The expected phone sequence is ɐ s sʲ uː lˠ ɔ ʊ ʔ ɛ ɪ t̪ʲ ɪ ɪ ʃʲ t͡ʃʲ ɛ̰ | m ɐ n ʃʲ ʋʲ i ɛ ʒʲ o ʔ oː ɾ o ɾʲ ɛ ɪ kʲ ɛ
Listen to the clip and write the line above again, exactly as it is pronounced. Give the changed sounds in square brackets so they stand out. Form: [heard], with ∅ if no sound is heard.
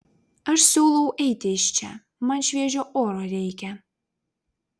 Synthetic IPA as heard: ɐ [ʃ] sʲ uː lˠ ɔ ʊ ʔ ɛ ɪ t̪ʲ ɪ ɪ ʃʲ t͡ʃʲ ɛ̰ | m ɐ n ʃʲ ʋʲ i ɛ ʒʲ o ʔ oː ɾ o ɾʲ ɛ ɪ kʲ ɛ